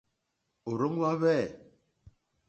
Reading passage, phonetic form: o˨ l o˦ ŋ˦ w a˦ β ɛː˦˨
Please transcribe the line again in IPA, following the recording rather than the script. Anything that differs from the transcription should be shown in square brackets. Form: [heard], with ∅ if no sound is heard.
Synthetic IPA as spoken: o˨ [ɾ] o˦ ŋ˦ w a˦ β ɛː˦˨